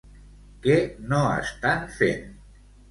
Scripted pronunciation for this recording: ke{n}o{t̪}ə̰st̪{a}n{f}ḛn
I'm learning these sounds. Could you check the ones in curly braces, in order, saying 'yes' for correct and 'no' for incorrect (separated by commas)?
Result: yes, no, yes, yes